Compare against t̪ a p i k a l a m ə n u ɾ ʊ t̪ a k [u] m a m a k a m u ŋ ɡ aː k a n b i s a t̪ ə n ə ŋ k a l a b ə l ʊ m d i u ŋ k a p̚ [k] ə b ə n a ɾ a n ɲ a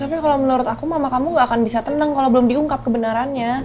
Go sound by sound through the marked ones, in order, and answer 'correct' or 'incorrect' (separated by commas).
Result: correct, correct